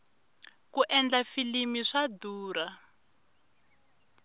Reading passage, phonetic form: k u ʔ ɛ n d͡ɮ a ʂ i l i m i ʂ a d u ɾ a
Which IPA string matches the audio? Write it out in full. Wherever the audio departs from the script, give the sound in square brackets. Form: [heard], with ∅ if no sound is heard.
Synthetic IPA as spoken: k u ʔ ɛ n d͡ɮ a [f] i l i m i ʂ a d [uː] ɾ a